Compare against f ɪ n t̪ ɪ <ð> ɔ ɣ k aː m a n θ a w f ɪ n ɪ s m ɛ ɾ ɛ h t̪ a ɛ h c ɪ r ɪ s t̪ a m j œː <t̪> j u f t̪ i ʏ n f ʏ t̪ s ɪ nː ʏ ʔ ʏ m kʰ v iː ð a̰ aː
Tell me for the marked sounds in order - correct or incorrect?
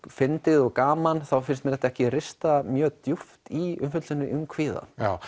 correct, correct

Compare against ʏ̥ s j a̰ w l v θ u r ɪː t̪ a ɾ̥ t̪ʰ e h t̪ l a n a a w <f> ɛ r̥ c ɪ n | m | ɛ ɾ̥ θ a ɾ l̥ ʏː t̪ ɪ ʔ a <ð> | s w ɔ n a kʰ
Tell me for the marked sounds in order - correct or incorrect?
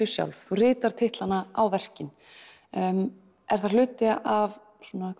incorrect, incorrect

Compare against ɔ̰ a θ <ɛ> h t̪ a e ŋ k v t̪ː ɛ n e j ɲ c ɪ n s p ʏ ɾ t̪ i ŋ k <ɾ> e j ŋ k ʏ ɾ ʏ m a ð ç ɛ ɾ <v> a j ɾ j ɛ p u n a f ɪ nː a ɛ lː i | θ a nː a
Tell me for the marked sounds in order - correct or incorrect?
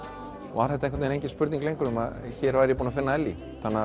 correct, incorrect, correct

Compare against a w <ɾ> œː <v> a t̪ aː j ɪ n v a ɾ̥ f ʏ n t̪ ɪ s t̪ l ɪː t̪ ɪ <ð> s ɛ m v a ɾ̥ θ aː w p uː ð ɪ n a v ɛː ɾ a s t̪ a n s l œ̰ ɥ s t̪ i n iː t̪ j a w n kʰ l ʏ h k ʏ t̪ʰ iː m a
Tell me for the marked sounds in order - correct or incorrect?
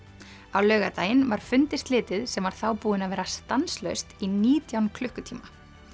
incorrect, incorrect, correct

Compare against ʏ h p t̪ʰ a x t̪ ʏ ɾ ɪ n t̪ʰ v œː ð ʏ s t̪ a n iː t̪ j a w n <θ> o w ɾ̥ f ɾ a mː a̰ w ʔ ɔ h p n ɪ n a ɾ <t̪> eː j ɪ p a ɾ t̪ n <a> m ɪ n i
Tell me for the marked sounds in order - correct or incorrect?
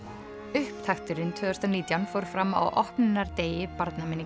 incorrect, correct, correct

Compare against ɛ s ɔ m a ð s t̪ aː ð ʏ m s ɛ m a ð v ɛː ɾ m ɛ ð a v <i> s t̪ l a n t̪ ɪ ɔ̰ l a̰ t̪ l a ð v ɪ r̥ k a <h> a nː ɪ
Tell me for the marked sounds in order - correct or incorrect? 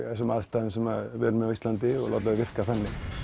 correct, incorrect

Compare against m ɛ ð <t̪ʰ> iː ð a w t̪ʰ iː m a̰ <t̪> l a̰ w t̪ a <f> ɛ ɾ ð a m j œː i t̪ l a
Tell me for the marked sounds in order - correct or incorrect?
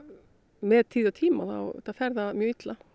correct, incorrect, correct

